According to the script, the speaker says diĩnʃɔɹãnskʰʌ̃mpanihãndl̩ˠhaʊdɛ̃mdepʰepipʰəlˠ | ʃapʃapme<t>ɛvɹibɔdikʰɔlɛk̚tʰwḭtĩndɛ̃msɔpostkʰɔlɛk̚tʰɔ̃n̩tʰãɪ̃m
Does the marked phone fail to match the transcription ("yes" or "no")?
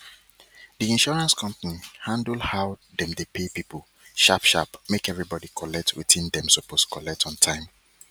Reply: yes